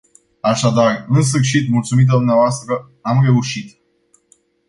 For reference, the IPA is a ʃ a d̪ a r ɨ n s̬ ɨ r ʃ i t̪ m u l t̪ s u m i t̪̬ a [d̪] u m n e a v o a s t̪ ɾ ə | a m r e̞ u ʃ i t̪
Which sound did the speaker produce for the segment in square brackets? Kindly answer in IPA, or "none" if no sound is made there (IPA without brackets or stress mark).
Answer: d̪